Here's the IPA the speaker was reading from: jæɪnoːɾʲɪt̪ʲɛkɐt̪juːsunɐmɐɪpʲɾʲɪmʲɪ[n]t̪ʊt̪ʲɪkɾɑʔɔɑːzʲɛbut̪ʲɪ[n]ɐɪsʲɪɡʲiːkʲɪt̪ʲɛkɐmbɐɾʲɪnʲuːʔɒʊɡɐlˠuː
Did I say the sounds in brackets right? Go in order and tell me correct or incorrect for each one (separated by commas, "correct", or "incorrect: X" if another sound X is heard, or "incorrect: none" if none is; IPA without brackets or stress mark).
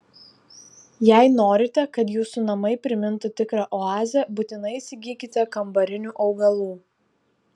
correct, correct